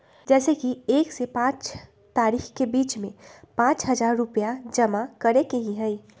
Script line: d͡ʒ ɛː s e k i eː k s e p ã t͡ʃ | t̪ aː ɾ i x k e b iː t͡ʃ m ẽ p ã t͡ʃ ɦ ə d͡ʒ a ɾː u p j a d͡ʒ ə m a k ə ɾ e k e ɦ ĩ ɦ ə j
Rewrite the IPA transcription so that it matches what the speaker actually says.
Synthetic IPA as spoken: d͡ʒ ɛː s e k i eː k s e p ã t͡ʃ | t̪ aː ɾ i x k e b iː t͡ʃ m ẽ p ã t͡ʃ ɦ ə d͡ʒ a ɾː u p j a d͡ʒ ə m a k ə ɾ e k e ɦ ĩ ɦ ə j